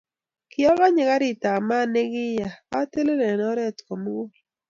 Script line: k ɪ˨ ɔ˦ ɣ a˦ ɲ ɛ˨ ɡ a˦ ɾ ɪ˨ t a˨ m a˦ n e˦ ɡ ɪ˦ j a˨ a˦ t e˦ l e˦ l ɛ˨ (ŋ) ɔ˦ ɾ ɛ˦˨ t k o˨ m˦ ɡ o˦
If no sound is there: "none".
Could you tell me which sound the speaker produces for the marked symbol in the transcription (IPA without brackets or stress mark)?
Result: n